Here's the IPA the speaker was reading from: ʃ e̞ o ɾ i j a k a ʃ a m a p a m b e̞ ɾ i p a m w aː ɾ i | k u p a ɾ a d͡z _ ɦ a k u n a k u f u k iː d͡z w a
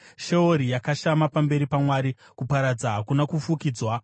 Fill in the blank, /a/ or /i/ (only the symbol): a